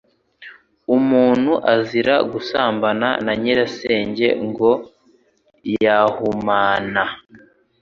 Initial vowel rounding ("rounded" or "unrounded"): rounded